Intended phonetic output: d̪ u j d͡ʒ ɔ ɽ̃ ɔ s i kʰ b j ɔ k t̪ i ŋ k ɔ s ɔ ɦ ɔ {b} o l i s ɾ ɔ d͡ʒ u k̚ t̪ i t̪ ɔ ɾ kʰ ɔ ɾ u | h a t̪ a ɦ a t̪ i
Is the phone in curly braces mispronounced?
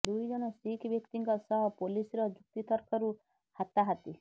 yes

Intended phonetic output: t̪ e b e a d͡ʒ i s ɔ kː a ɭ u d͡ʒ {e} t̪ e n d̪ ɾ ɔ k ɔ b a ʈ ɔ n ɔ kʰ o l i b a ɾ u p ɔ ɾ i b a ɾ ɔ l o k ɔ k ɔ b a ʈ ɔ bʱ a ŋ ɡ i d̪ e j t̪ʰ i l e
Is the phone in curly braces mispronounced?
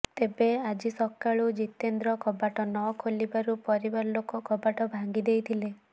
yes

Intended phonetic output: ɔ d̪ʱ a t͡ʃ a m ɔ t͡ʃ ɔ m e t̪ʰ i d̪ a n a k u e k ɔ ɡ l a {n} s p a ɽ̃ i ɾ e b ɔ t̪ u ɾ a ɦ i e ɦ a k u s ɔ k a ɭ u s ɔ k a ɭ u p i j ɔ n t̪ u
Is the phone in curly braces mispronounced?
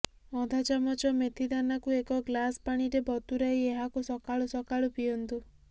yes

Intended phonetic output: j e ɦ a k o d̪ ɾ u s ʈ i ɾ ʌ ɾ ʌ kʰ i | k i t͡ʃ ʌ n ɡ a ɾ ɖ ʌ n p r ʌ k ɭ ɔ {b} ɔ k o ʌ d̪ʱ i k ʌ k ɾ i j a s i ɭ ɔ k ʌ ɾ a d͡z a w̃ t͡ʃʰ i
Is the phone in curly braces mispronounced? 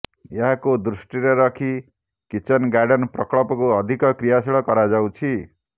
yes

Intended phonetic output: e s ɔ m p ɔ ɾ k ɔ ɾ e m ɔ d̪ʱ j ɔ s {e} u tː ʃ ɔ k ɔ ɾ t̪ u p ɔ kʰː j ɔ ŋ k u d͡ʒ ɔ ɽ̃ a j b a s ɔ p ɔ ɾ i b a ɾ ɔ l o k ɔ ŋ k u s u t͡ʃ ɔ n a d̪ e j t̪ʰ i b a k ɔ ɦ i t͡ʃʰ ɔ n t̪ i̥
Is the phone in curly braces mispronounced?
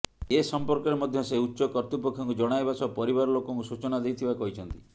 no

